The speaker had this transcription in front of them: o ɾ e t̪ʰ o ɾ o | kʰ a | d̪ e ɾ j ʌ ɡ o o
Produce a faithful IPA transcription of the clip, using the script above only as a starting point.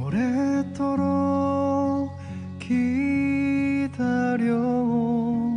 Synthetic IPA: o ɾ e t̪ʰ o ɾ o | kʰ i | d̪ a ɾ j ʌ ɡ o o

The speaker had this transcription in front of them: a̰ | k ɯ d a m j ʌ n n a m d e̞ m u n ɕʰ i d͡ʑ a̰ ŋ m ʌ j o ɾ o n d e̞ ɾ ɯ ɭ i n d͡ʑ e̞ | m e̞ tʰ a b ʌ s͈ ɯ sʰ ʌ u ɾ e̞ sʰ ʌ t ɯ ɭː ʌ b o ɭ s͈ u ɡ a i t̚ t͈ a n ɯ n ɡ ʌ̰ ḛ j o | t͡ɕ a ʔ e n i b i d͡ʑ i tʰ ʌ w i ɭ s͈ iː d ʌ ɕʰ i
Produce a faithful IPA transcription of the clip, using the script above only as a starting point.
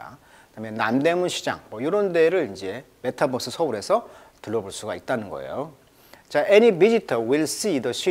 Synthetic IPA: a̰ | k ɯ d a m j ʌ n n a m d e̞ m u n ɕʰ i d͡ʑ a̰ ŋ m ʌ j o ɾ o n d e̞ ɾ ɯ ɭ i n d͡ʑ e̞ | m e̞ tʰ a b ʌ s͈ ɯ sʰ ʌ u ɾ e̞ sʰ ʌ t ɯ ɭː ʌ b o ɭ s͈ u ɡ a i t̚ t͈ a n ɯ n ɡ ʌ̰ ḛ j o | t͡ɕ a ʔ e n i b i d͡ʑ i tʰ ʌ w i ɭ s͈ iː d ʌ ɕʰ i

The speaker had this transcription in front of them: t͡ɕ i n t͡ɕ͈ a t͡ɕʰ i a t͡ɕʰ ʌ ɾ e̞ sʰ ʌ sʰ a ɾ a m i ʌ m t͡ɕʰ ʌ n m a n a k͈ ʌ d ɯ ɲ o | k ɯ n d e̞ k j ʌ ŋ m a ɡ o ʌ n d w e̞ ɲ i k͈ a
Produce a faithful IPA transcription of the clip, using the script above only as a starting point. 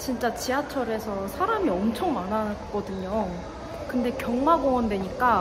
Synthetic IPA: t͡ɕ i n t͡ɕ͈ a t͡ɕ i a t͡ɕʰ ʌ ɾ e̞ sʰ ʌ sʰ a ɾ a m i ʌ m t͡ɕʰ ʌ ŋ m a n a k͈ ʌ d ɯ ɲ o | k ɯ n d e̞ k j ʌ ŋ m a ɡ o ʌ n d w e̞ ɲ i k͈ a

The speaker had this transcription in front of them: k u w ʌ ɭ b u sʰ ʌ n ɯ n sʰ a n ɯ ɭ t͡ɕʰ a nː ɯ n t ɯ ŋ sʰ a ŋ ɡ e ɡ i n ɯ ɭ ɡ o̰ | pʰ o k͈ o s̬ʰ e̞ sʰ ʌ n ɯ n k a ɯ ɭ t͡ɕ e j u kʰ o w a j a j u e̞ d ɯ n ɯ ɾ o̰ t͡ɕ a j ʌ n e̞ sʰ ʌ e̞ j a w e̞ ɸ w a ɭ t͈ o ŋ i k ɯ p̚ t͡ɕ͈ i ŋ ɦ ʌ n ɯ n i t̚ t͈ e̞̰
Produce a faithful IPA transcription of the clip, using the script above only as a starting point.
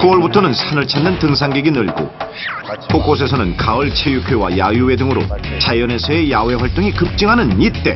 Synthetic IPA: k u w ʌ ɭ b u tʰ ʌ n ɯ n sʰ a n ɯ ɭ t͡ɕʰ a nː ɯ n t ɯ ŋ sʰ a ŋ ɡ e ɡ i n ɯ ɭ ɡ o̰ | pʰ o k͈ o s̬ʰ e̞ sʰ ʌ n ɯ n k a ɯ ɭ t͡ɕʰ e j u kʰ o w a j a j u e̞ d ɯ ŋ ɯ ɾ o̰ t͡ɕ a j ʌ n e̞ sʰ ʌ e̞ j a w e̞ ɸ w a ɭ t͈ o ŋ i k ɯ p̚ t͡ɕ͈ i ŋ ɦ a n ɯ n i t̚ t͈ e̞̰

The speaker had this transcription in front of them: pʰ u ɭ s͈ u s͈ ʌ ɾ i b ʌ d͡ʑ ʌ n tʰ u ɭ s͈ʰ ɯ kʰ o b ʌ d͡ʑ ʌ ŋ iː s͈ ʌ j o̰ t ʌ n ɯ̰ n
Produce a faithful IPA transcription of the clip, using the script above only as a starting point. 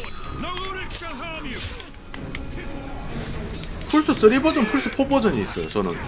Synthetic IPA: pʰ u ɭ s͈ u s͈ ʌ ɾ i b ʌ d͡ʑ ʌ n pʰ u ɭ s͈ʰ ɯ pʰ o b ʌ d͡ʑ ʌ ɲ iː s͈ ʌ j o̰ t͡ɕ ʌ n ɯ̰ n

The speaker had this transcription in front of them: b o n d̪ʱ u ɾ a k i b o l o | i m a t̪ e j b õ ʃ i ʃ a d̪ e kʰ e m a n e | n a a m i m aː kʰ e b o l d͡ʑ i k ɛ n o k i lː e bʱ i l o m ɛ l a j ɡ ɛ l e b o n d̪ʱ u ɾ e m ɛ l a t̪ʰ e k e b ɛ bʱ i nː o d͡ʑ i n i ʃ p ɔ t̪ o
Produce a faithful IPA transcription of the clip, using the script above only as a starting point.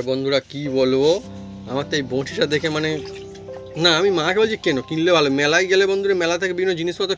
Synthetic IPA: b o n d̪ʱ u ɾ a k i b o l o | a m a t̪ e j b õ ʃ i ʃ a d̪ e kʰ e m a n e | n a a m i m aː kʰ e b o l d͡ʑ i k ɛ n o k i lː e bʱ a l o m ɛ l a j ɡ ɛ l e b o n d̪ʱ u ɾ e m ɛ l a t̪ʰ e k e b i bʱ i nː o d͡ʑ i n i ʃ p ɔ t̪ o

